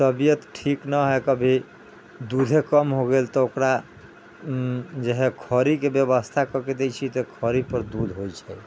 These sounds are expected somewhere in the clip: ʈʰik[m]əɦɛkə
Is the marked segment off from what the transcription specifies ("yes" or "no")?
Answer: yes